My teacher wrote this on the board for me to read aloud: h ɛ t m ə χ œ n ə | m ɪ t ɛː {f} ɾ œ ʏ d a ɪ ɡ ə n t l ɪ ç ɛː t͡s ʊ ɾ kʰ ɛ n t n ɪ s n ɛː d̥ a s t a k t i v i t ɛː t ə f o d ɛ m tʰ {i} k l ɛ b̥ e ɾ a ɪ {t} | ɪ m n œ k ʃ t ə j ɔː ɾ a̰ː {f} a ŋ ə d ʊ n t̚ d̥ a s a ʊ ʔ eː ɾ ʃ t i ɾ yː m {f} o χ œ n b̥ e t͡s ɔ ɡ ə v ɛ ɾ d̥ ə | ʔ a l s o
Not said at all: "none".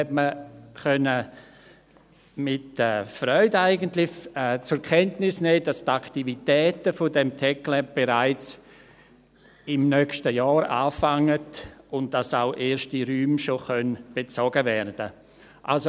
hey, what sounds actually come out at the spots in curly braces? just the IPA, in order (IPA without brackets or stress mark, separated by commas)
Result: f, ɛ, t͡s, f, ʃ